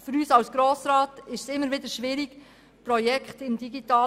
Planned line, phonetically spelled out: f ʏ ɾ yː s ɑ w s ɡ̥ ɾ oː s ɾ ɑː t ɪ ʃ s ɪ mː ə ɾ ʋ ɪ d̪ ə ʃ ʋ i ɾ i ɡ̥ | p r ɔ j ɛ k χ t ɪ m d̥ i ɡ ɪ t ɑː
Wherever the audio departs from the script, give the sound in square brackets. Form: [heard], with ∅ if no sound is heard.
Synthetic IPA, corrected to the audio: f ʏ ɾ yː s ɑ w s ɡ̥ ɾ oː s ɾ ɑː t ɪ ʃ s ɪ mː ə ɾ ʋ ɪ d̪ ə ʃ ʋ [ɪ] ɾ i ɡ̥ | p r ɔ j ɛ k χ t ɪ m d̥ i ɡ [i] t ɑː

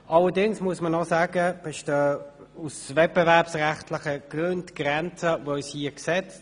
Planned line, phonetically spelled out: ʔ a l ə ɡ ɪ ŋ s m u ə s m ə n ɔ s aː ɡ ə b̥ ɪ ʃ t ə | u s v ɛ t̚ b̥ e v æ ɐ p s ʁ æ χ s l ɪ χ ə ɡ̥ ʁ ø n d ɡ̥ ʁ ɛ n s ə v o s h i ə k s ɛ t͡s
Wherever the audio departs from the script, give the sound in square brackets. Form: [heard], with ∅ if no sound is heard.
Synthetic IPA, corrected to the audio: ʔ [ɑ] l ə [d] ɪ ŋ s m u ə s m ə n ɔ s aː ɡ ə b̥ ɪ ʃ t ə | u s v ɛ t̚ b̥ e v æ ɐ p s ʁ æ χ [t] l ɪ χ ə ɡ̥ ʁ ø n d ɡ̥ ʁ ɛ n [t͡s] ə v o s h i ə k s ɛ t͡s

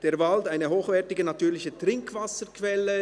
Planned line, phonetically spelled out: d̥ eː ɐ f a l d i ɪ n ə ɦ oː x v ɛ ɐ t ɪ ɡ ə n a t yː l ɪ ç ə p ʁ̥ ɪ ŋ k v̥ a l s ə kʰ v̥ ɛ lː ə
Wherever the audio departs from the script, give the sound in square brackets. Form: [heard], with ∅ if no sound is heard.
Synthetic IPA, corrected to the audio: d̥ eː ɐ [v] a l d [a] ɪ n ə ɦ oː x v ɛ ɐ t ɪ ɡ ə n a t yː l ɪ ç ə [t] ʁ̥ ɪ ŋ k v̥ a [∅] s ə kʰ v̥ ɛ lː ə

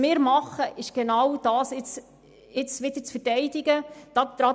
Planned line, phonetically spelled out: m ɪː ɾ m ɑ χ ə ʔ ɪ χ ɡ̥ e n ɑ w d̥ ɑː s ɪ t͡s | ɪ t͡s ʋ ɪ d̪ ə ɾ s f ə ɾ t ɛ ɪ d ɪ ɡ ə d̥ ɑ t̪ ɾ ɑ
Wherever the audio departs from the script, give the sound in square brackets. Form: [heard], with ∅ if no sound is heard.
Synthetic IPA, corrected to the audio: m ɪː ɾ m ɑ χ ə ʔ ɪ [ʃ] ɡ̥ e n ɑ w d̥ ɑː s ɪ t͡s | ɪ t͡s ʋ ɪ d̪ ə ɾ [t͡s] f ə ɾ t ɛ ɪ d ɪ ɡ ə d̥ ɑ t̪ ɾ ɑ

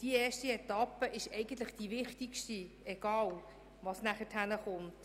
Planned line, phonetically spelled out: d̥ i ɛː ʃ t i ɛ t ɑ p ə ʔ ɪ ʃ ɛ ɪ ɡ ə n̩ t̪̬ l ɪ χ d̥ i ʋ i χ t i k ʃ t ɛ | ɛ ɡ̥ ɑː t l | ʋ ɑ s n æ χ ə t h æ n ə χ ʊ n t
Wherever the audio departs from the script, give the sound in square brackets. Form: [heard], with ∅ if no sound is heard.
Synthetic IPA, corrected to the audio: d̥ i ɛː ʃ t i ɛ t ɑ p ə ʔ ɪ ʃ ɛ ɪ ɡ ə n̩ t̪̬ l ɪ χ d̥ i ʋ [ɪ] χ t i k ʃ t [i] | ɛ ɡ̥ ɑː [∅] l | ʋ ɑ s n æ χ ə t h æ n ə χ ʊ n t

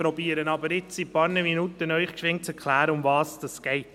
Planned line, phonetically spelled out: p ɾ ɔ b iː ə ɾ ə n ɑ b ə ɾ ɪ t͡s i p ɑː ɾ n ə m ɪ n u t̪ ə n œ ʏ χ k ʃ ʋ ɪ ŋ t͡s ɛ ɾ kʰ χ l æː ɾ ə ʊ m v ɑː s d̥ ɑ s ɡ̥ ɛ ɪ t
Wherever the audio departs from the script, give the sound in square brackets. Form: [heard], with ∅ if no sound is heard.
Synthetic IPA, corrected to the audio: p ɾ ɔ b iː ə ɾ ə n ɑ b ə ɾ ɪ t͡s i p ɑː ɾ n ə m [i] n u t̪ ə n œ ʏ χ k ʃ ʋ ɪ ŋ t͡s ɛ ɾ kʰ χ l æː ɾ ə ʊ m v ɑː s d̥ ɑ s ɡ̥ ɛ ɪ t

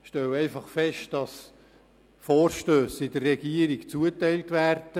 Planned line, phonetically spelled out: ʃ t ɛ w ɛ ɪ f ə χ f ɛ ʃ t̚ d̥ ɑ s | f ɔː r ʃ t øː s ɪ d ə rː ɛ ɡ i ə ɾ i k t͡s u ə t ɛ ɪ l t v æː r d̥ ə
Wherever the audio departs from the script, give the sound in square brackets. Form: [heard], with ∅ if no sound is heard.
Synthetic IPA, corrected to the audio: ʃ t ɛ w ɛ ɪ f [ɑ] χ f ɛ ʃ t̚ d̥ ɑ s | f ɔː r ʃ t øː s ɪ d ə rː ɛ ɡ i ə ɾ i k t͡s u ə t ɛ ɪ l t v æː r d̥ ə

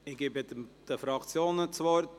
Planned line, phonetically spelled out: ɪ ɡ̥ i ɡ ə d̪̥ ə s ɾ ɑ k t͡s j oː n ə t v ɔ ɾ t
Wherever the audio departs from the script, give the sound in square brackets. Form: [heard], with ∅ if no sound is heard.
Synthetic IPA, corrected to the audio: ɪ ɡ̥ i [b] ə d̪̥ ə [f] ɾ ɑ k t͡s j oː n ə [t͡s] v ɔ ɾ t

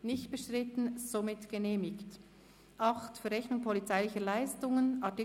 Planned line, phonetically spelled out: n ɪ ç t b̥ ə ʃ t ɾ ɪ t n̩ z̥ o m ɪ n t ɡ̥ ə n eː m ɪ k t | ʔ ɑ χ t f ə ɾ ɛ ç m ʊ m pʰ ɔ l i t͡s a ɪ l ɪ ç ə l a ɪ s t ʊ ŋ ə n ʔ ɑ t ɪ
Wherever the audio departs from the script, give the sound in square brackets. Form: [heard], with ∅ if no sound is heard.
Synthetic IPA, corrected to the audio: n ɪ ç t b̥ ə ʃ t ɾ ɪ t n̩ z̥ o m ɪ [∅] t ɡ̥ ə n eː m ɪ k t | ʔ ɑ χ t f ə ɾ ɛ ç [n] ʊ [ŋ] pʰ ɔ l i t͡s a ɪ l ɪ ç ə l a ɪ s t ʊ ŋ ə n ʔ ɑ t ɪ

